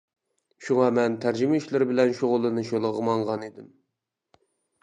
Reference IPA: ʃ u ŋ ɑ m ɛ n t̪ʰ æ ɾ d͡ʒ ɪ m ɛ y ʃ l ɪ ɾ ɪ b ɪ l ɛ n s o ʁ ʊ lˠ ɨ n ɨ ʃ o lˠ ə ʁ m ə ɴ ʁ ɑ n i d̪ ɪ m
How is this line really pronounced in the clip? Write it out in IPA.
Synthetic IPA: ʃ u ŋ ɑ m ɛ n t̪ʰ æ ɾ d͡ʒ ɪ m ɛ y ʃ l ɪ ɾ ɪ b ɪ l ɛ n ʃ o ʁ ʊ lˠ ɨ n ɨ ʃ o lˠ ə ʁ m ɑ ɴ ʁ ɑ n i d̪ ɪ m